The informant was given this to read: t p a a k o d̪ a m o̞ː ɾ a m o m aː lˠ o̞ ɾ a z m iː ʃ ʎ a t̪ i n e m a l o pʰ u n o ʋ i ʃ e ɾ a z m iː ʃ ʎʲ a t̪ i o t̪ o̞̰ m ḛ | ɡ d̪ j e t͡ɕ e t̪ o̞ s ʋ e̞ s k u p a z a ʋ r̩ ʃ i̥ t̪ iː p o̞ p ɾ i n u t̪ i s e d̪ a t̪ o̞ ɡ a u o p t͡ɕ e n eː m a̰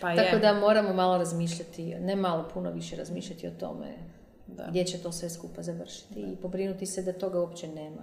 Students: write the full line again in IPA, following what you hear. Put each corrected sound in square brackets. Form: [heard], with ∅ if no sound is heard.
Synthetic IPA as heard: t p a a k o d̪ a m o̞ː ɾ a m o m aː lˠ o̞ ɾ a z m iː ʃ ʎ a t̪ i n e m a l o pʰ u n o ʋ i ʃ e ɾ a z m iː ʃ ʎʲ a t̪ i o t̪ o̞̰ m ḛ | ɡ d̪ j e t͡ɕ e t̪ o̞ s ʋ e̞ s k u p a z a ʋ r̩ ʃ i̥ t̪ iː p o̞ [b] ɾ i n u t̪ i s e d̪ a t̪ o̞ ɡ a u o p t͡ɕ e n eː m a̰